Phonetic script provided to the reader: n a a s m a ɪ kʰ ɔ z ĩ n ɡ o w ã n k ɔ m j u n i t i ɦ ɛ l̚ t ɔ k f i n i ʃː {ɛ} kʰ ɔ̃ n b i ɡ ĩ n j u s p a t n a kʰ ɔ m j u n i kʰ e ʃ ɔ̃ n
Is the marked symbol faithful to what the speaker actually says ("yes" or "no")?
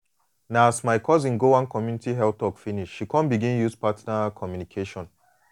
no